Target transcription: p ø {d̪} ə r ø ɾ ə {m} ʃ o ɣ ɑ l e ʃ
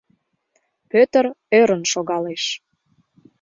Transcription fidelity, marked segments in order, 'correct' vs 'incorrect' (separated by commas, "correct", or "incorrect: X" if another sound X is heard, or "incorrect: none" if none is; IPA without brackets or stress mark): incorrect: t̪, incorrect: n